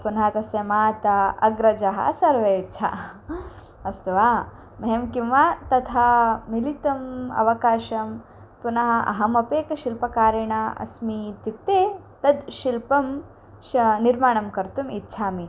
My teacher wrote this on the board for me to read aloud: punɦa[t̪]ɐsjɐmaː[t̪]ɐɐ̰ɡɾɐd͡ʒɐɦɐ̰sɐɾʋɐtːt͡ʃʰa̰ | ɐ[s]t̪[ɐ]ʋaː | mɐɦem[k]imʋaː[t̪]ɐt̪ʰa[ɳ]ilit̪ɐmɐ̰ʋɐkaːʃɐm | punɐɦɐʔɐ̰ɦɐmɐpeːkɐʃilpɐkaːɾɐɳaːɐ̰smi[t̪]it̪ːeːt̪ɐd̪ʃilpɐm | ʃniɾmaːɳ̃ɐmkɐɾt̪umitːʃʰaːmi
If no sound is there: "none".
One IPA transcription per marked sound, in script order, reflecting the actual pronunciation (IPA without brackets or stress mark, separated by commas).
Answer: t̪, t̪, s, ɐ, k, t̪, m, t̪